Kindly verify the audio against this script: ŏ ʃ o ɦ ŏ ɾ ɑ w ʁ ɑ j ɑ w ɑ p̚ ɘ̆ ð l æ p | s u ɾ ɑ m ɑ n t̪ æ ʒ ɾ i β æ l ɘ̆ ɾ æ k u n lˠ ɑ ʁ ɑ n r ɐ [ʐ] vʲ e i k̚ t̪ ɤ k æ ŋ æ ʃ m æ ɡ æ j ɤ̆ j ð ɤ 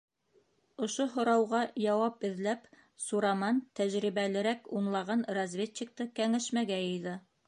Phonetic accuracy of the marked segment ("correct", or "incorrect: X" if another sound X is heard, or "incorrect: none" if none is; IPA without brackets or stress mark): incorrect: z